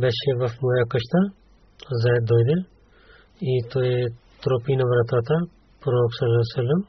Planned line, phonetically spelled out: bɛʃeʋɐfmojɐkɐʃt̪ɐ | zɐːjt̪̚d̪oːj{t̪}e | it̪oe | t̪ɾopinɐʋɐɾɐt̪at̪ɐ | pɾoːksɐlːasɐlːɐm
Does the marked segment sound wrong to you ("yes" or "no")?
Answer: yes